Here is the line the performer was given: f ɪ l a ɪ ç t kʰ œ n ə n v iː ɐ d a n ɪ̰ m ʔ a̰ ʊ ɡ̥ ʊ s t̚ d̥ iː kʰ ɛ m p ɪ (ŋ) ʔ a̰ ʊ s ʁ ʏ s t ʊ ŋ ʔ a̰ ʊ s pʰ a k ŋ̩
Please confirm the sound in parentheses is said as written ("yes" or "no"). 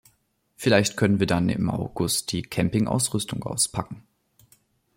yes